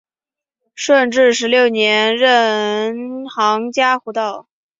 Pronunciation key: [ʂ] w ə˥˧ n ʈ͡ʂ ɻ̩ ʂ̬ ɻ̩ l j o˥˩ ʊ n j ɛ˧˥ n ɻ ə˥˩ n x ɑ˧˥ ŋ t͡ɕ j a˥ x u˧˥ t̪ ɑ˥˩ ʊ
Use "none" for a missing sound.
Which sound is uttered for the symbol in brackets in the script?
ʂ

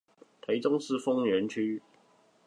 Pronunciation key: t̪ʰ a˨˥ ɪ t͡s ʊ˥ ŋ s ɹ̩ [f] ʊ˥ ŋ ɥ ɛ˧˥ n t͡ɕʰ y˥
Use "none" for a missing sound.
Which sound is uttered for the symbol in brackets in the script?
f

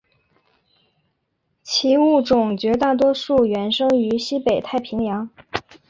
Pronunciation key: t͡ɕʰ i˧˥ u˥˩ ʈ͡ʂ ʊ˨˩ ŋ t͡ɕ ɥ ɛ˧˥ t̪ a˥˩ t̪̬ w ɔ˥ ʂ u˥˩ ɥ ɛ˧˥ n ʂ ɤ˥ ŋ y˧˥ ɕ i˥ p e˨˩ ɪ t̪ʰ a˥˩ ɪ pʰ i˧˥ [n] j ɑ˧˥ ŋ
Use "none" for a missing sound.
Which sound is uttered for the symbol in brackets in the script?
ŋ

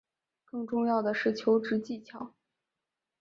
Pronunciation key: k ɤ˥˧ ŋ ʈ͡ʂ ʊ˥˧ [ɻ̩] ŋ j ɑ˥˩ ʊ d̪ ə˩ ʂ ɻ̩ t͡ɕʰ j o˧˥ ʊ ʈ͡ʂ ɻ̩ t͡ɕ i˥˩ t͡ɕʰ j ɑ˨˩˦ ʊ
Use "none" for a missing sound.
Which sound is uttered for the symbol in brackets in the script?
none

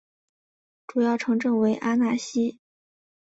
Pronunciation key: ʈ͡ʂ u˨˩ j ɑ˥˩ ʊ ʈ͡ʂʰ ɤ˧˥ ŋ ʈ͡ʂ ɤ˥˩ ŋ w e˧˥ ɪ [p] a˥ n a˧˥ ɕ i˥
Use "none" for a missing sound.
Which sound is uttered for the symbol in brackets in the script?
ʔ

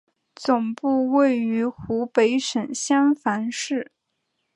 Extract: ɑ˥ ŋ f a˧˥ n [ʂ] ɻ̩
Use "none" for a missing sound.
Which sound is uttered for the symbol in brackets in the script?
ʂ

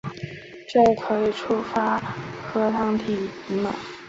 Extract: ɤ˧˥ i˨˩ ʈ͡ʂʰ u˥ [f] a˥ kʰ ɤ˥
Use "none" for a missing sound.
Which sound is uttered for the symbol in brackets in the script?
f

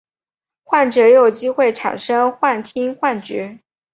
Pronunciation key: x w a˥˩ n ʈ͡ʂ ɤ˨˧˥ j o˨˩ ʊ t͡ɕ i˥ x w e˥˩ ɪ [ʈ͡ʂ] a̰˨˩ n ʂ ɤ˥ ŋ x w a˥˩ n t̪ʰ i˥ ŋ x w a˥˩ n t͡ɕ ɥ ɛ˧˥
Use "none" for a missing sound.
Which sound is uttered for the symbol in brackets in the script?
ʈ͡ʂʰ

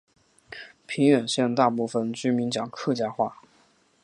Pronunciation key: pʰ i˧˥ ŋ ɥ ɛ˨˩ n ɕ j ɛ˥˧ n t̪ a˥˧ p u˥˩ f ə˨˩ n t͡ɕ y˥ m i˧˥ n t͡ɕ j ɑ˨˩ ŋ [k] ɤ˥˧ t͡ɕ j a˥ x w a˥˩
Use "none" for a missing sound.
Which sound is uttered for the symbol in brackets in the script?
kʰ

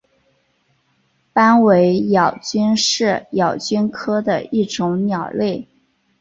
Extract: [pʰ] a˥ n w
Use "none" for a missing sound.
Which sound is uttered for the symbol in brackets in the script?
p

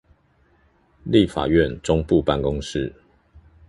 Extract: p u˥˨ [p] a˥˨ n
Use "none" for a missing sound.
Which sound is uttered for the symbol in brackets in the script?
p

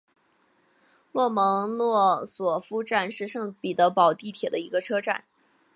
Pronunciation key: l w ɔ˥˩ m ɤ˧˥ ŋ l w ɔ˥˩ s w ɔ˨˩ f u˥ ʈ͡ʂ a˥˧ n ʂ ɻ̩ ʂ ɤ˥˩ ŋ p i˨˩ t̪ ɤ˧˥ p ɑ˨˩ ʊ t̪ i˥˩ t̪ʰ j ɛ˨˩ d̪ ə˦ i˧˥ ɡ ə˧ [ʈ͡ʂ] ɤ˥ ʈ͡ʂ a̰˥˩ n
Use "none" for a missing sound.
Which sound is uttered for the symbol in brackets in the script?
ʈ͡ʂʰ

